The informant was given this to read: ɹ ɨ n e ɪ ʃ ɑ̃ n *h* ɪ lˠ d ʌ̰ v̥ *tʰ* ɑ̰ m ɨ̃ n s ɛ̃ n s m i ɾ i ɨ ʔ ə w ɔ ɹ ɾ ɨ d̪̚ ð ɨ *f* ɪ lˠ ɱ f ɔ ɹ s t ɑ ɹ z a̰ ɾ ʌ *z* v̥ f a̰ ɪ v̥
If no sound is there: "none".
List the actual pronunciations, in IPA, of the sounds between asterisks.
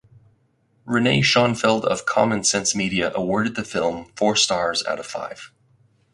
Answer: f, kʰ, f, none

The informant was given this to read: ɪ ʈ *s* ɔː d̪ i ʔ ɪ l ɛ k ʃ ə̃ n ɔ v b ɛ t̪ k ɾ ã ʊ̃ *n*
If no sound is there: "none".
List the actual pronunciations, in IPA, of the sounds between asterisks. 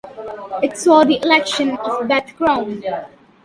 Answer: s, n

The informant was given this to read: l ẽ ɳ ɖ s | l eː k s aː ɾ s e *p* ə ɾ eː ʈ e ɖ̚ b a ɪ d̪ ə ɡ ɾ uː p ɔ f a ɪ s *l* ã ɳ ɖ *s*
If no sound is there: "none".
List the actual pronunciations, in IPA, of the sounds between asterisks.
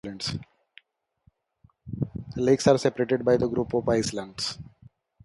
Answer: p, l, s

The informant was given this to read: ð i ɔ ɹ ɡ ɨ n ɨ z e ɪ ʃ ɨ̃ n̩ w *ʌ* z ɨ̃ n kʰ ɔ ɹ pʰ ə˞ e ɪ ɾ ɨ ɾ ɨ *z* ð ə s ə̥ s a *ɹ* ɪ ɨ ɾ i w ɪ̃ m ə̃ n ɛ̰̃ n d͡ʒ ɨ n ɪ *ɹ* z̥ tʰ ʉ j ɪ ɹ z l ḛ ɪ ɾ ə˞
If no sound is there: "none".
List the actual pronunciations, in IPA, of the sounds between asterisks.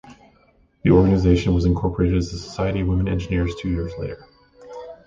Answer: ʌ, z, none, ɹ

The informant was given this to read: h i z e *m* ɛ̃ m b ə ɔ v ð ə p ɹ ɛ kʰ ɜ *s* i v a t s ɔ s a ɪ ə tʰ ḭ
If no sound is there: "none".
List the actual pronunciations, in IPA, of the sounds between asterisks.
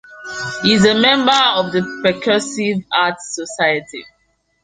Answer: m, s

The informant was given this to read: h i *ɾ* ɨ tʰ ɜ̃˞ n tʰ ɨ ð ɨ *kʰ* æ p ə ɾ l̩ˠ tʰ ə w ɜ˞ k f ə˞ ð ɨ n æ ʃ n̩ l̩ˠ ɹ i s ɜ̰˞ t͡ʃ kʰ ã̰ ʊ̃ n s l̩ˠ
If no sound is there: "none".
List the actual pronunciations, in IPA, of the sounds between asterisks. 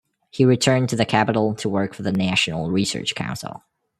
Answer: ɹ, kʰ

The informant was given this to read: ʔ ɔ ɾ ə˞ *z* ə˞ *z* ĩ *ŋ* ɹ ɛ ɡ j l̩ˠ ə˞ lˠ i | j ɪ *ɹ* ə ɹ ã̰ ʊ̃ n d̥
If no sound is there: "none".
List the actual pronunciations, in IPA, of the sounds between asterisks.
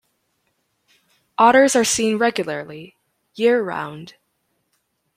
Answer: z, s, n, ɹ

